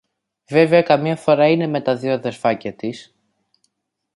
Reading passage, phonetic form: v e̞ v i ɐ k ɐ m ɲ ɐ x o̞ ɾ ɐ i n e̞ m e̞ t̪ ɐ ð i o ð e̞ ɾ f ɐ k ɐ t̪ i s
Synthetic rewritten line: v e̞ v e ɐ k ɐ m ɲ ɐ f o̞ ɾ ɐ i n e̞ m e̞ t̪ ɐ ð i o ð e̞ ɾ f ɐ c ɐ t̪ i s